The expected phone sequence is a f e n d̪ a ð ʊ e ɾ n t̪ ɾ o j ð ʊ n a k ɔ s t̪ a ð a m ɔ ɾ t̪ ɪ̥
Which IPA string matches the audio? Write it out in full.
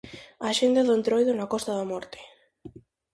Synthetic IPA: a ʃ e n d̪ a ð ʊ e n t̪ ɾ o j ð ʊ n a k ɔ s t̪ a ð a m ɔ ɾ t̪ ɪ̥